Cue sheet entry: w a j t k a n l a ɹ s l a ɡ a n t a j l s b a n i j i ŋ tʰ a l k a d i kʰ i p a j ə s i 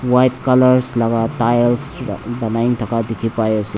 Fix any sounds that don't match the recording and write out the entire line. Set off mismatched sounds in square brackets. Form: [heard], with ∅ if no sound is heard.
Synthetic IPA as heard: w a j t k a [∅] l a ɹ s l a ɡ a [∅] t a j l s b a n [a] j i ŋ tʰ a [∅] k a d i kʰ i p a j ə s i